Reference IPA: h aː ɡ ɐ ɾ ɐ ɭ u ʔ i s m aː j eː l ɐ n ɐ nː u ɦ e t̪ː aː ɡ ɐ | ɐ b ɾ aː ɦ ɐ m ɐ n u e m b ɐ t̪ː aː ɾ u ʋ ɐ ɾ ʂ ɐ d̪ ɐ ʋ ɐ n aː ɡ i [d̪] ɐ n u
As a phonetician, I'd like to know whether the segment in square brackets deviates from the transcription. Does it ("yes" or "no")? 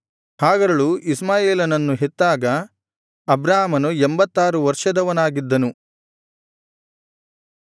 yes